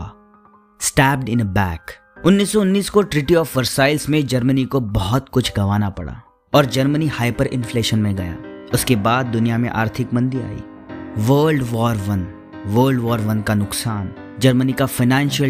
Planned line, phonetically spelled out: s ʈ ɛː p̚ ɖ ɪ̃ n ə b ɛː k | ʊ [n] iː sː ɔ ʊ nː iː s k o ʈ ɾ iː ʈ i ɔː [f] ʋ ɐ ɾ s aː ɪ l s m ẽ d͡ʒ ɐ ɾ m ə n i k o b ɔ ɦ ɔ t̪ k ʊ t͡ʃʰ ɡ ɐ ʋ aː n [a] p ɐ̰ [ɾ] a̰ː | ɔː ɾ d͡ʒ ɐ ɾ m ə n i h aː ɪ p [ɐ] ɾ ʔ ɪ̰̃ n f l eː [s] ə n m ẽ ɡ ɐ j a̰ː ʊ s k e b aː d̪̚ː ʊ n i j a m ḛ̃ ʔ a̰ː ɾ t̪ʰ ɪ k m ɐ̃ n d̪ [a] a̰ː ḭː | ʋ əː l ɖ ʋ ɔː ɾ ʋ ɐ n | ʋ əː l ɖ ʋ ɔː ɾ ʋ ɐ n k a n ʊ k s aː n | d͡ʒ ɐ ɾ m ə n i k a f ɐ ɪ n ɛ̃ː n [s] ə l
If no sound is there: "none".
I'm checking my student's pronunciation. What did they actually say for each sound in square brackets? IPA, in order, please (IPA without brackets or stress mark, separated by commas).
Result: nː, f, a, ɽ, ə, ʃ, i, ʃ